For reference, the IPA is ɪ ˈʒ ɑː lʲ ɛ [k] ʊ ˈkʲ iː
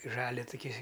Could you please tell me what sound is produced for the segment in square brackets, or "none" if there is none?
t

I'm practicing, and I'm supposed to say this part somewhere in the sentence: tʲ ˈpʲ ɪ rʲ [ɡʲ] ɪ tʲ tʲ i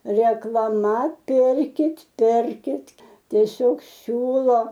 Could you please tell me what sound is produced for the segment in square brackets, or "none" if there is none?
kʲ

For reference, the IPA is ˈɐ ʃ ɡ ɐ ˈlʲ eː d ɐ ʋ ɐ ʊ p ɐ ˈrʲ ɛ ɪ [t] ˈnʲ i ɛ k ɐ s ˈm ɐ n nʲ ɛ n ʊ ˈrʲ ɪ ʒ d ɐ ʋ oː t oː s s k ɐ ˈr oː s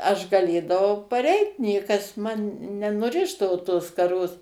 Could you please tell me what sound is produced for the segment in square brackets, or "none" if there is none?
t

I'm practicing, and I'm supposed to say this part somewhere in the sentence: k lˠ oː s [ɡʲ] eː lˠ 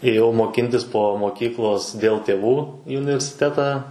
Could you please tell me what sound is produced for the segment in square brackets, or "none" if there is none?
dʲ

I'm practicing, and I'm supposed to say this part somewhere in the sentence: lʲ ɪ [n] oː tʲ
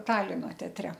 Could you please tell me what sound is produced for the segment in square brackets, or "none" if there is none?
n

